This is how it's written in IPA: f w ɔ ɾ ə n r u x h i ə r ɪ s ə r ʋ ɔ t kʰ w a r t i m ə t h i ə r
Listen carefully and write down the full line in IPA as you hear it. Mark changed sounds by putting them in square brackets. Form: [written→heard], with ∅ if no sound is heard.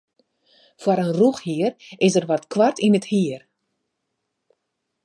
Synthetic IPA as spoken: f w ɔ ɾ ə n r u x h i ə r ɪ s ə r ʋ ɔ t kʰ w a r t i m ə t h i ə r